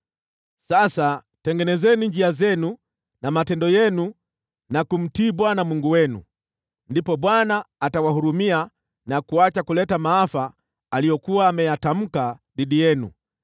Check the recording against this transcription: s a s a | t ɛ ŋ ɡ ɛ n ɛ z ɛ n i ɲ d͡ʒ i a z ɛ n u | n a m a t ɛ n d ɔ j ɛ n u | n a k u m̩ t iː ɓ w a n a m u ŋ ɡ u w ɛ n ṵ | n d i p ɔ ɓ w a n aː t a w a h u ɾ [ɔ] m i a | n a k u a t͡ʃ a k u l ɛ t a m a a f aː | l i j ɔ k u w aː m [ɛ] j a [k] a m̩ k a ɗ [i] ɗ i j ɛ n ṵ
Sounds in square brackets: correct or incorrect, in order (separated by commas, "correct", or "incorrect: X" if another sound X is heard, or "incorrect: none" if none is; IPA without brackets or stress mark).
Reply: incorrect: u, correct, incorrect: t, correct